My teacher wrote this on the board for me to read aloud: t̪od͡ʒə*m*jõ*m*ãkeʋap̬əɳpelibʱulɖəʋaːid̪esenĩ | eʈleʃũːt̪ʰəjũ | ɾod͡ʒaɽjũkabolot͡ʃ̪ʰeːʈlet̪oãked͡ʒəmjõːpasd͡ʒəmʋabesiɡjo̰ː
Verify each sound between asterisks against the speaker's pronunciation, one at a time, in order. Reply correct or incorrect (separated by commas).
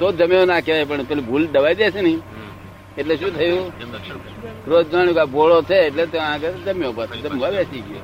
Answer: correct, incorrect